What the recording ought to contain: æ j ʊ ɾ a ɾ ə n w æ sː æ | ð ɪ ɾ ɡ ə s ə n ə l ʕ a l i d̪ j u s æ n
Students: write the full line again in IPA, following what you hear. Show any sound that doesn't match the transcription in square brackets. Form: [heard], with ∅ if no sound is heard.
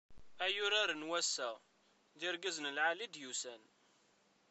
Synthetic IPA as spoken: æ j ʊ ɾ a ɾ ə n w æ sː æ | ð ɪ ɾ ɡ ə [z] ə n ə l ʕ a l i d̪ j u s æ n